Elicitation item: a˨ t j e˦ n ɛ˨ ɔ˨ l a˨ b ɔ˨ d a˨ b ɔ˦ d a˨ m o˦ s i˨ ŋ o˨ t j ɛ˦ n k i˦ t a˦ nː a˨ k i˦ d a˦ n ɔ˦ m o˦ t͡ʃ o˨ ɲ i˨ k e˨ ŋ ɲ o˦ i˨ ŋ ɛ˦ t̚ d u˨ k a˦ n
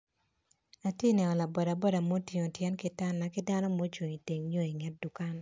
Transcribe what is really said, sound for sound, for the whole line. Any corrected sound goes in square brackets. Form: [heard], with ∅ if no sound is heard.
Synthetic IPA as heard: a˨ t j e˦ n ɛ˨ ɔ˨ l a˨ b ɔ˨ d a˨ b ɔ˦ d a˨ m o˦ [t] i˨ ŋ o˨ t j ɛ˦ n k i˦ t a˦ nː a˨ k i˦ d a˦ n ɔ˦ m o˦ t͡ʃ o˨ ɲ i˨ [t] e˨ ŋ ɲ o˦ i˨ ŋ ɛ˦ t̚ d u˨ k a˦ n